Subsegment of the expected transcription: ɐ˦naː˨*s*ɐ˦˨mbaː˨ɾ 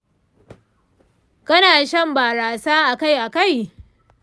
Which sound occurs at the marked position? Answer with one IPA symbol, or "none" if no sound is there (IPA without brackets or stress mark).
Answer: ʃ